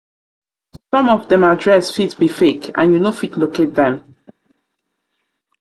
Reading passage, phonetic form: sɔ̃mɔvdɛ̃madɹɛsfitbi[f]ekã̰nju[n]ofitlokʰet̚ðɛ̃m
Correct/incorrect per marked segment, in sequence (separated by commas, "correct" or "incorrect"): correct, correct